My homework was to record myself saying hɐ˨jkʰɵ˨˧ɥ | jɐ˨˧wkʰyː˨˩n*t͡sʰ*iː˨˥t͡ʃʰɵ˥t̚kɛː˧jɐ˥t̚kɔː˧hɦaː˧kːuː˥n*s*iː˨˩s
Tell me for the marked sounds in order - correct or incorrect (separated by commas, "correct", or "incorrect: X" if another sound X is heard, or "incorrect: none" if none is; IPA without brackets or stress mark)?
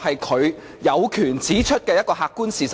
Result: incorrect: t͡s, correct